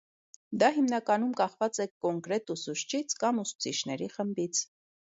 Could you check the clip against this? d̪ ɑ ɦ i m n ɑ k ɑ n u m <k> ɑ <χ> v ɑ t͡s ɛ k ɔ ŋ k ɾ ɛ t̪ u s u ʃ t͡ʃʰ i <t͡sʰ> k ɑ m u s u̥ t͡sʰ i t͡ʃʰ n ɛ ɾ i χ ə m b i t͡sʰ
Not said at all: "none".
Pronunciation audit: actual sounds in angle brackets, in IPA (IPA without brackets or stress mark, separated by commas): k, χ, t͡sʰ